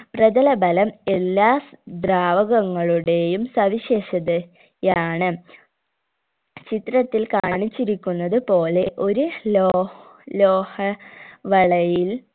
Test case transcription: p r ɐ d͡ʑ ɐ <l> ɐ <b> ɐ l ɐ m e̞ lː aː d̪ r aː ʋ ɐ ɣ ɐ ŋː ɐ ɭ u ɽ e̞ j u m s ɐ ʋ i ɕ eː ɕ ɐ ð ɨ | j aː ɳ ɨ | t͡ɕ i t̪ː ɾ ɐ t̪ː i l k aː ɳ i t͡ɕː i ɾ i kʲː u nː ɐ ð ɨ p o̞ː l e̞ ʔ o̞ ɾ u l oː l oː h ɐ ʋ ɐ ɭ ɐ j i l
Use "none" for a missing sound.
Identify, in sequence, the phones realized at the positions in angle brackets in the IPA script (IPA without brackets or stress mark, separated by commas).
l, b